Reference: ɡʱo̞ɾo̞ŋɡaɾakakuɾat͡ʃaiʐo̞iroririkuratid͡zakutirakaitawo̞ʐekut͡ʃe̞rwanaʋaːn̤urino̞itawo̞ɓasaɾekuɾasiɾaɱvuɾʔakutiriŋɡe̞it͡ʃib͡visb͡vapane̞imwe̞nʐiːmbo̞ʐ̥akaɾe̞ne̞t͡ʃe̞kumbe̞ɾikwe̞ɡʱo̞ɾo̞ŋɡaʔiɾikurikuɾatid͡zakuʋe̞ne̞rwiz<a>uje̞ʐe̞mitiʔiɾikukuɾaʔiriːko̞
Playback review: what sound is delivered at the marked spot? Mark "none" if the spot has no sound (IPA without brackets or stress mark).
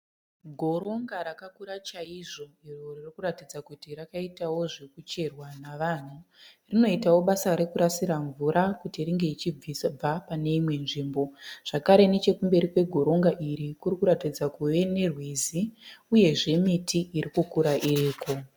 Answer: i